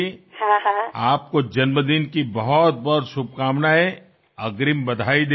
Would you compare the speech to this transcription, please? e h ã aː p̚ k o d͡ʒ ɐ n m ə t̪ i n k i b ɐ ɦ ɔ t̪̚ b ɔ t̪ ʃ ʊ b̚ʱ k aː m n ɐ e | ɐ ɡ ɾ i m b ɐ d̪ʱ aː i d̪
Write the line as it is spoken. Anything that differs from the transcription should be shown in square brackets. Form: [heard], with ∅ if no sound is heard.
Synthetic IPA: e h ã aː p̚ k o d͡ʒ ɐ n m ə [d̪] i n k i b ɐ ɦ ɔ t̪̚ b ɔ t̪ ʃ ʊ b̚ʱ k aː m n [a] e | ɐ ɡ ɾ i m b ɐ d̪ʱ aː i d̪